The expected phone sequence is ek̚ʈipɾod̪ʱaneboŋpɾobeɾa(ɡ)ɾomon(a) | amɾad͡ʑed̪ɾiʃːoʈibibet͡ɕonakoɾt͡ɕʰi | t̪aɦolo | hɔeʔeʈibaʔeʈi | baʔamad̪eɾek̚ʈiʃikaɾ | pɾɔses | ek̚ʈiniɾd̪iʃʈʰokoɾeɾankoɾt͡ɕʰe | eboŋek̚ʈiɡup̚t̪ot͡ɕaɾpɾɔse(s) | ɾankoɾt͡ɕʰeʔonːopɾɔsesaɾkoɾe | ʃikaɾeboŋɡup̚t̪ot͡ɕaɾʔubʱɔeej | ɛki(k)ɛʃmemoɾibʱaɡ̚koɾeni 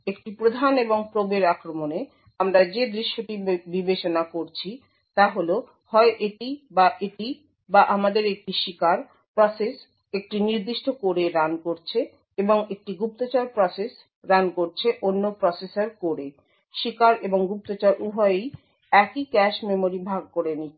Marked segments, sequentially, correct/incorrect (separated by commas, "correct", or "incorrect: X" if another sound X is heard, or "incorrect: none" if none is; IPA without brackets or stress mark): incorrect: k, incorrect: e, correct, correct